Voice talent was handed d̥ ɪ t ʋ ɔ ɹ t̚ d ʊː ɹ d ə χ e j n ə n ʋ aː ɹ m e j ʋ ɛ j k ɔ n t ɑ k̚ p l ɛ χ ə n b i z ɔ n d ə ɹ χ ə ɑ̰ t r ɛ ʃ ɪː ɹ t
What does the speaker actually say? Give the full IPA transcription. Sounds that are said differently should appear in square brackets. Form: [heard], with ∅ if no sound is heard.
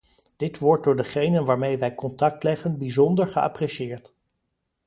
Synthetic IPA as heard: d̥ ɪ t ʋ ɔ ɹ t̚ d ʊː ɹ d ə χ e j n ə n ʋ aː ɹ m e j ʋ ɛ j k ɔ n t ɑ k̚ [t] l ɛ χ ə n b i z ɔ n d ə ɹ χ ə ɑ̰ [p] r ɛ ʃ ɪː ɹ t